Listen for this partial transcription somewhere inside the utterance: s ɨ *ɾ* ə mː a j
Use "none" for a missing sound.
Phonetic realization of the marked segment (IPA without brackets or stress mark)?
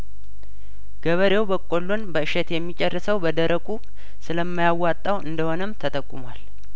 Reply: l